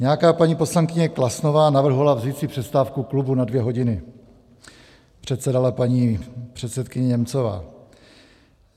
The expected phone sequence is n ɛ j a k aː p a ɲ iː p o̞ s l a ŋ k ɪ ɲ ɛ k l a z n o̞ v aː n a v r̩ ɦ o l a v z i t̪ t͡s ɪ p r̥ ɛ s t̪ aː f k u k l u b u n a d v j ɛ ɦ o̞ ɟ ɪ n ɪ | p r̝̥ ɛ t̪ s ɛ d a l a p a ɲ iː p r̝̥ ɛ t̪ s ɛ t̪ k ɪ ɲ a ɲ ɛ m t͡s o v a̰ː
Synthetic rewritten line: ɲ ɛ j a k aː p a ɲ iː p o̞ s l a ŋ k ɪ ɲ ɛ k l a s n o̞ v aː n a v r̩ ɦ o l a v z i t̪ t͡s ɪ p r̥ ɛ s t̪ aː f k u k l u b u n a d v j ɛ ɦ o̞ ɟ ɪ n ɪ | p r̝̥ ɛ t̪ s ɛ d a l a p a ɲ iː p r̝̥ ɛ t̪ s ɛ t̪ k ɪ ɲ ɛ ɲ ɛ m t͡s o v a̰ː

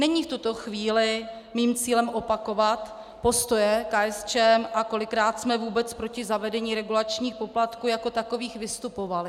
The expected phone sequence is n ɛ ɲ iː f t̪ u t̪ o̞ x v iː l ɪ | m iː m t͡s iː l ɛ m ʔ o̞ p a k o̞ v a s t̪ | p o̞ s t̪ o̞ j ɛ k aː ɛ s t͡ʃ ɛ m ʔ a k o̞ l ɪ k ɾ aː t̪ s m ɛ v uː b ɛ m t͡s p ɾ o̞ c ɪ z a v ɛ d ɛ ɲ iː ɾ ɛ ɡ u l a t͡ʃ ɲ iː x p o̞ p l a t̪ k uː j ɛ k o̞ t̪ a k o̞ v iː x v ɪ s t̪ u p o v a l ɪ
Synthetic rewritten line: n ɛ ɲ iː f t̪ u t̪ o̞ x v iː l ɪ | m iː m t͡s iː l ɛ m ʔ o̞ p a k o̞ v a t̪ | p o̞ s t̪ o̞ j ɛ k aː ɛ s t͡ʃ ɛ m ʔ a k o̞ l ɪ k ɾ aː t̪ s m ɛ v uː b ɛ t͡s p ɾ o̞ c ɪ z a v ɛ d ɛ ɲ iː ɾ ɛ ɡ u l a t͡ʃ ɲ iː x p o̞ p l a t̪ k uː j a k o̞ t̪ a k o̞ v iː x v ɪ s t̪ u p o v a l ɪ

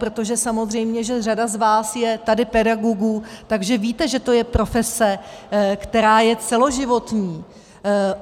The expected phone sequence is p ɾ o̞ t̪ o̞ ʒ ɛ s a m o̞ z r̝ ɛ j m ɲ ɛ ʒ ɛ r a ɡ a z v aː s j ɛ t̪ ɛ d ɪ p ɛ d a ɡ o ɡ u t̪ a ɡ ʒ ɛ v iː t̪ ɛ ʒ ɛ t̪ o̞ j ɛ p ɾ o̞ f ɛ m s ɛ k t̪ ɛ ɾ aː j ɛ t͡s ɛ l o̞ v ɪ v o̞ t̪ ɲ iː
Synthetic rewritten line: p ɾ o̞ t̪ o̞ ʒ ɛ s a m o̞ z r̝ ɛ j m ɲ ɛ ʒ ɛ r a d a z v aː s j ɛ t̪ a d ɪ p ɛ d a ɡ o ɡ u t̪ a ɡ ʒ ɛ v iː t̪ ɛ ʒ ɛ t̪ o̞ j ɛ p ɾ o̞ f ɛ s ɛ k t̪ ɛ ɾ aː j ɛ t͡s ɛ l o̞ ʒ ɪ v o̞ t̪ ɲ iː

